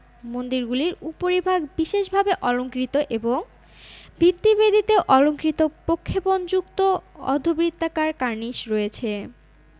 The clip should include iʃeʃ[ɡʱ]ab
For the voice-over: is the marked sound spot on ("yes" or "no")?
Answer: no